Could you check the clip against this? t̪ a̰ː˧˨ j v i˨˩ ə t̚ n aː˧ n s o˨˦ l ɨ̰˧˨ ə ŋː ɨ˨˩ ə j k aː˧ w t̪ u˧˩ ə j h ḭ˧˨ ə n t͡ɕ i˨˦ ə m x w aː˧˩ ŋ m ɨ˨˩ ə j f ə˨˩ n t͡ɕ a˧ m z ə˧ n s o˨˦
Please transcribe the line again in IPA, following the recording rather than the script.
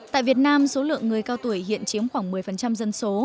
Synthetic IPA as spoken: t̪ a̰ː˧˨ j v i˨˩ ə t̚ n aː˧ m s o˨˦ l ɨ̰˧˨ ə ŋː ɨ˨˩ ə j k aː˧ w t̪ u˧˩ ə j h ḭ˧˨ ə n t͡ɕ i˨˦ ə m x w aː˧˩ ŋ m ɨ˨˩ ə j f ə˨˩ n t͡ɕ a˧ m z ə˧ n s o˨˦

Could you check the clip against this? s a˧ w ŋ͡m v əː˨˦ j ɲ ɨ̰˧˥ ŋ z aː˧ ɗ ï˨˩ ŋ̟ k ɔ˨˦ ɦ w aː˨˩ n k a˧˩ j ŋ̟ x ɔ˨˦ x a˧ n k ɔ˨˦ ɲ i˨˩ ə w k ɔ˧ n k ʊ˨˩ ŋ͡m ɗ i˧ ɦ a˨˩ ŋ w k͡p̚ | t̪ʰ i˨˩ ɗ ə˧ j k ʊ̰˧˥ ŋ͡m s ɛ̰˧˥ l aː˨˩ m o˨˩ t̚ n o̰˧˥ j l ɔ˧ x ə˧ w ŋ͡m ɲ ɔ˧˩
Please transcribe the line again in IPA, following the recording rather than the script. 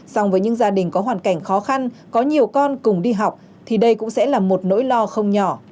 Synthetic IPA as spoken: s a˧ w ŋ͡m v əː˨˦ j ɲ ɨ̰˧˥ ŋ z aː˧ ɗ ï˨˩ ŋ̟ k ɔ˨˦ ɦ w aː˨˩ n k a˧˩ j ŋ̟ x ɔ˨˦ x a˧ n k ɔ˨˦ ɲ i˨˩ ə w k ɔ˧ n k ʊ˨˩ ŋ͡m ɗ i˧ ɦ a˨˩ w k͡p̚ | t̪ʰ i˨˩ ɗ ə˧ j k ʊ̰˧˥ ŋ͡m s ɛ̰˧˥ l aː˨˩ m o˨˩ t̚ n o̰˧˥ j l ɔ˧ x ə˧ w ŋ͡m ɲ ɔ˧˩

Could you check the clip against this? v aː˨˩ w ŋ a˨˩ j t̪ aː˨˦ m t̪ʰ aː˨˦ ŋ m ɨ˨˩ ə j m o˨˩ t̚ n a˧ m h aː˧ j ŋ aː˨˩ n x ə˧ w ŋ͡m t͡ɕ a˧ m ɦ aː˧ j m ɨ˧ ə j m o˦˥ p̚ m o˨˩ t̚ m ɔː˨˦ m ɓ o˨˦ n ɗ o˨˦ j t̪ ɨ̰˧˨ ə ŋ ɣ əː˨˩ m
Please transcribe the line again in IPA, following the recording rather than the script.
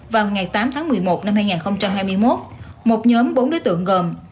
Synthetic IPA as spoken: v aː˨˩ w ŋ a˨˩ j t̪ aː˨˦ m t̪ʰ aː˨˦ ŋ m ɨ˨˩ ə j m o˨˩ t̚ n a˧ m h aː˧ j ŋ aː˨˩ n x ə˧ w ŋ͡m t͡ɕ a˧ m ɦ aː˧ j m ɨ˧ ə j m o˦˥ t̚ m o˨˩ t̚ ɲ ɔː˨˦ m ɓ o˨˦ n ɗ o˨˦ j t̪ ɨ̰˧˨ ə ŋ ɣ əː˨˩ m

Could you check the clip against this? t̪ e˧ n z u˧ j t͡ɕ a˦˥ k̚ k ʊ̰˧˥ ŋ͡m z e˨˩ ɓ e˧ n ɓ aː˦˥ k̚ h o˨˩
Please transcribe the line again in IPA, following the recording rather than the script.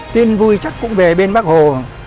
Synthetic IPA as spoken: t̪ i˧ n v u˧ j t͡ɕ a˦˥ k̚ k ʊ̰˧˥ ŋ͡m v e˨˩ ɓ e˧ n ɓ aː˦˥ k̚ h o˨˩

